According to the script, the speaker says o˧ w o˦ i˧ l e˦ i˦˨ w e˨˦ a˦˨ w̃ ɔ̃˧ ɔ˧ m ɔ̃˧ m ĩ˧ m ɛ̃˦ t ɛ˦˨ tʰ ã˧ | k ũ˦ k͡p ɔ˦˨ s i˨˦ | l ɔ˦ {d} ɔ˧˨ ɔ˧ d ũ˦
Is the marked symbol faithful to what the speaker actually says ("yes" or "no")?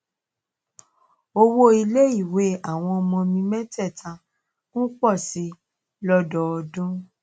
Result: yes